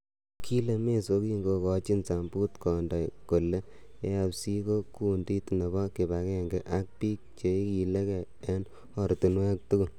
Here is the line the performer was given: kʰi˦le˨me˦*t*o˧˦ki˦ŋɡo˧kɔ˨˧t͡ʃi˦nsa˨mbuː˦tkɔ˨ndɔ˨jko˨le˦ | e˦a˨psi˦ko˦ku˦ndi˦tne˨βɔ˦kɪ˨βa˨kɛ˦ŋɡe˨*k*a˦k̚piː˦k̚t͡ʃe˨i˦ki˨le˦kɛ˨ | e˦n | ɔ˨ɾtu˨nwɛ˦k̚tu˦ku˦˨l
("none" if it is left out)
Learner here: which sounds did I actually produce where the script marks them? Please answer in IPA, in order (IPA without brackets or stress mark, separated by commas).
s, ʔ